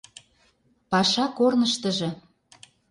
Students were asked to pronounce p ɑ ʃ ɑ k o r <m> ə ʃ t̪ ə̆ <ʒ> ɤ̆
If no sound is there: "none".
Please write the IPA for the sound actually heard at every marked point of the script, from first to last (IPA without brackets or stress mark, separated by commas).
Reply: n, ʒ